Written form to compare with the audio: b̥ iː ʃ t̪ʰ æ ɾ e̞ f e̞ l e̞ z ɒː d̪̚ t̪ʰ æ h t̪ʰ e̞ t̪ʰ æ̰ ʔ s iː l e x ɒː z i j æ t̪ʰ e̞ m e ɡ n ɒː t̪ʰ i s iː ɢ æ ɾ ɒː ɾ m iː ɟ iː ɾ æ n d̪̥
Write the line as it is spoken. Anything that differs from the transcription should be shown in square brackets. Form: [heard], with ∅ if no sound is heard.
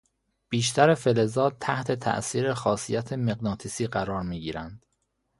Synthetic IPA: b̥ iː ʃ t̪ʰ æ ɾ e̞ f e̞ l e̞ z ɒː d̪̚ t̪ʰ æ h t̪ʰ e̞ t̪ʰ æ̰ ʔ s iː [ɾ] e x ɒː [s] i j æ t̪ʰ e̞ m e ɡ n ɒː t̪ʰ i s iː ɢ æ ɾ ɒː ɾ m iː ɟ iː ɾ æ n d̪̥